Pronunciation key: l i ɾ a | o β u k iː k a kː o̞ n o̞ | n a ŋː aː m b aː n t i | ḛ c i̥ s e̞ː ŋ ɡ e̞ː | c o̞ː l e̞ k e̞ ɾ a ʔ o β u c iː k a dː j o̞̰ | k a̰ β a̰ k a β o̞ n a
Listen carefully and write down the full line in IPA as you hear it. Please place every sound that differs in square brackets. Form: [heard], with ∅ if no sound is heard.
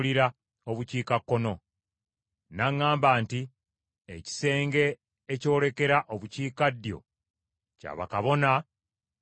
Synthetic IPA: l i ɾ a | o β u [c] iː k a kː o̞ n o̞ | n a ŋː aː m b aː n t i | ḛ c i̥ s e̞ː ŋ ɡ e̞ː | c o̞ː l e̞ k e̞ ɾ a ʔ o β u c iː k a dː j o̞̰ | [c] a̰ β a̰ k a β o̞ n a